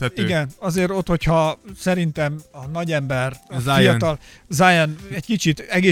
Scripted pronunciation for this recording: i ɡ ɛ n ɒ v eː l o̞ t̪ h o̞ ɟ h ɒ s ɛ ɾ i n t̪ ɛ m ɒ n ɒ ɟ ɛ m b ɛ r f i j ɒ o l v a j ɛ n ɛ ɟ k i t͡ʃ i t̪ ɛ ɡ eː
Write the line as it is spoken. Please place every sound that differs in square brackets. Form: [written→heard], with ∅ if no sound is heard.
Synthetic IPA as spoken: i ɡ ɛ n ɒ [v→z] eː [l→ɾ] o̞ t̪ h o̞ [ɟ→c] h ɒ s ɛ ɾ i n t̪ ɛ m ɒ n ɒ ɟ ɛ m b ɛ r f i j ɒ [o→ɒ] l [v→z] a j ɛ n ɛ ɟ k i t͡ʃ i t̪ ɛ ɡ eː